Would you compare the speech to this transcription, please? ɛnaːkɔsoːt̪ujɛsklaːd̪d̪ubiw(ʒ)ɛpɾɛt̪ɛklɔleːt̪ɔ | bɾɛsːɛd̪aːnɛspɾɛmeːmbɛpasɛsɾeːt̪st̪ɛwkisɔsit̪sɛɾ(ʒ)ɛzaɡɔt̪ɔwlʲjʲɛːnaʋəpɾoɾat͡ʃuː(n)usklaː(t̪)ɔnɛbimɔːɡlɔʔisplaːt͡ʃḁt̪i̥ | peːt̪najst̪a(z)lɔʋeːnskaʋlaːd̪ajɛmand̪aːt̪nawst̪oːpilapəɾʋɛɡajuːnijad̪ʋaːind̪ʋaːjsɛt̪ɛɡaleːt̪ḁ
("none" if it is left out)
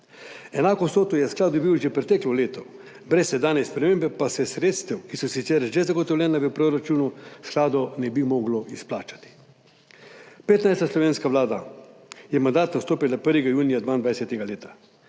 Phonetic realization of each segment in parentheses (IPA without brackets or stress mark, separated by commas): ʒ, ʒ, n, d̪, s